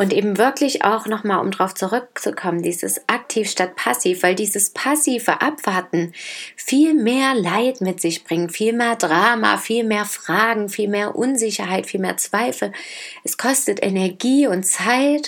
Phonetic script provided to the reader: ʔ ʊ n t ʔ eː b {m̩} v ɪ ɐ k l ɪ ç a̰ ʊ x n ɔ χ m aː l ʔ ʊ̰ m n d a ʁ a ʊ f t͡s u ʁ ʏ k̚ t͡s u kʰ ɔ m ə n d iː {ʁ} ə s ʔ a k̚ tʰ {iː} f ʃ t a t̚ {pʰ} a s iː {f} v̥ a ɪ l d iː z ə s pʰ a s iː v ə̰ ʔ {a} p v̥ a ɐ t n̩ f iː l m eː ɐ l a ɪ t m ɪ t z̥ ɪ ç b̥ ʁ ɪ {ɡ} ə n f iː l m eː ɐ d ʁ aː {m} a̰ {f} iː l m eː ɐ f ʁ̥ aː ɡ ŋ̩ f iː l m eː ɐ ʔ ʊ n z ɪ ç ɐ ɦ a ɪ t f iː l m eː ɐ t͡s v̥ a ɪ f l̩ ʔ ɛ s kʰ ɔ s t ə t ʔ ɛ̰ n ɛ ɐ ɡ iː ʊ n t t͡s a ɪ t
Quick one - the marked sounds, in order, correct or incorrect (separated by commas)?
correct, incorrect, correct, correct, correct, correct, incorrect, correct, correct